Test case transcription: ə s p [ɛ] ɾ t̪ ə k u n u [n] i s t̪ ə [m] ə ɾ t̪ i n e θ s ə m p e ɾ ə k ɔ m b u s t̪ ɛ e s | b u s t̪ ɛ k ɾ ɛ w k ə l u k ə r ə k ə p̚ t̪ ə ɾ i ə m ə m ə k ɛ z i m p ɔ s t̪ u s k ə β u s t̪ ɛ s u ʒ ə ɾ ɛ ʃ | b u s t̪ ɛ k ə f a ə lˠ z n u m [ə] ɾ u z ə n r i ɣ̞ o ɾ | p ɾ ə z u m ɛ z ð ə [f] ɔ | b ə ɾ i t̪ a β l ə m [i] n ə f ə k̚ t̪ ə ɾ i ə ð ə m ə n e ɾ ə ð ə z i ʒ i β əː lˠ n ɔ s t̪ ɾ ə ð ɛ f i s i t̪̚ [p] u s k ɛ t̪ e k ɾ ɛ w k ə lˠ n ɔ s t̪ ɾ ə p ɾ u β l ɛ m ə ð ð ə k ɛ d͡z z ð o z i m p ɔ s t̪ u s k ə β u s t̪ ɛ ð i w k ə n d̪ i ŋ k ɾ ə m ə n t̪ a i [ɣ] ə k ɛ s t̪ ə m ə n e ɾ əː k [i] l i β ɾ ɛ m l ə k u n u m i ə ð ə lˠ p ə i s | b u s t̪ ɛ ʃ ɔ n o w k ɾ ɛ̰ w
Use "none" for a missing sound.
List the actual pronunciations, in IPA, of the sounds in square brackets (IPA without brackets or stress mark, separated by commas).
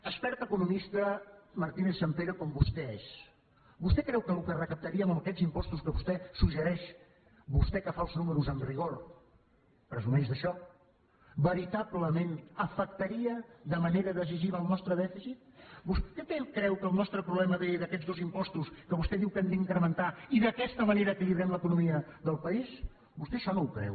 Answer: ɛ, m, m, ə, ʃ, e, b, ð, i